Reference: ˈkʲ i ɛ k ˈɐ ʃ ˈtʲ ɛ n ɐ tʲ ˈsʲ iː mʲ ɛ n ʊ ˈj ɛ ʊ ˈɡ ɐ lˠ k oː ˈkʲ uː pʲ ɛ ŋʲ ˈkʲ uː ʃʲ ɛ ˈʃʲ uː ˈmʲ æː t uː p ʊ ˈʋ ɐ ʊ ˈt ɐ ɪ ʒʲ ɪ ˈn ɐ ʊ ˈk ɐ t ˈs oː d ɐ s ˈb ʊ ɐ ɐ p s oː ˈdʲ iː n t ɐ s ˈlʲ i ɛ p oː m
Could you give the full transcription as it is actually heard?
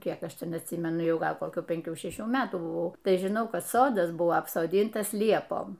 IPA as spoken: ˈkʲ i ɛ k ˈɐ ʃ ˈtʲ ɛ n ɐ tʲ ˈsʲ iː mʲ ɛ n ʊ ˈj ɛ ʊ ˈɡ ɐ lˠ k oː ˈkʲ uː pʲ ɛ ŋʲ ˈkʲ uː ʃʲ ɛ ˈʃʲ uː ˈmʲ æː t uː b ʊ ˈʋ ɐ ʊ ˈt ɐ ɪ ʒʲ ɪ ˈn ɐ ʊ ˈk ɐ t ˈs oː d ɐ s ˈb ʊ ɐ ɐ p s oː ˈdʲ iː n t ɐ s ˈlʲ i ɛ p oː m